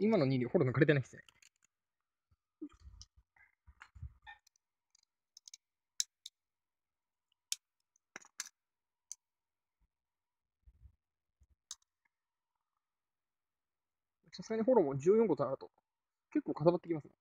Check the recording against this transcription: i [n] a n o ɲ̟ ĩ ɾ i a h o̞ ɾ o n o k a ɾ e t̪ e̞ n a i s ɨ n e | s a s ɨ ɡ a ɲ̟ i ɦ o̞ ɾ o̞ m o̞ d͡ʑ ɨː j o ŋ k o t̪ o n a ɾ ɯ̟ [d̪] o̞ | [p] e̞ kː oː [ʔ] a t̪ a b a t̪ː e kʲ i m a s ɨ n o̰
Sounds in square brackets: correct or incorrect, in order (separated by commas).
incorrect, incorrect, incorrect, incorrect